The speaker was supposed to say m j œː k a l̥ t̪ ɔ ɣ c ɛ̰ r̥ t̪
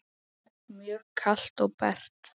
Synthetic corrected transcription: m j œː kʰ a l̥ t̪ ɔ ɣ p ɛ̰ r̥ t̪